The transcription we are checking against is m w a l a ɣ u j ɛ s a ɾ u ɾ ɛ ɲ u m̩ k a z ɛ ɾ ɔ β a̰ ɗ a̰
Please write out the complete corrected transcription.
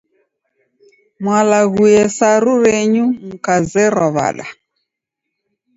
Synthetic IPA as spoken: m w a l a ɣ u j ɛ s a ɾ u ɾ ɛ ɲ u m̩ k a z ɛ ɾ ɔ β a̰ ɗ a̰